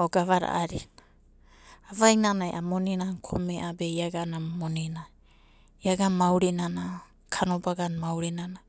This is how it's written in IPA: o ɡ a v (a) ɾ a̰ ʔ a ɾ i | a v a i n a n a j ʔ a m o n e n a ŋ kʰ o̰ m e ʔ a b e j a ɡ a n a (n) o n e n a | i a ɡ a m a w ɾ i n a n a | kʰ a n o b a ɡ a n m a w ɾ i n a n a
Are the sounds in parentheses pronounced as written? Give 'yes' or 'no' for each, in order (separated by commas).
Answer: yes, no